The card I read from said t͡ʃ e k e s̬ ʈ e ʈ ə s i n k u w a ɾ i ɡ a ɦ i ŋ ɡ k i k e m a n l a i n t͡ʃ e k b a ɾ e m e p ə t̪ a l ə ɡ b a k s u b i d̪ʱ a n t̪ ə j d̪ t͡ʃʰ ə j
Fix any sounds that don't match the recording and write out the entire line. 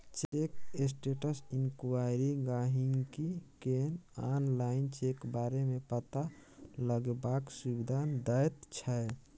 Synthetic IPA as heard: t͡ʃ e k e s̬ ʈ e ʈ ə s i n k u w a ɾ i ɡ a ɦ i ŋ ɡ k i k e n a n l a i n t͡ʃ e k b a ɾ e m e p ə t̪ a l ə ɡ b a k s u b i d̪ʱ a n d̪ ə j t̪ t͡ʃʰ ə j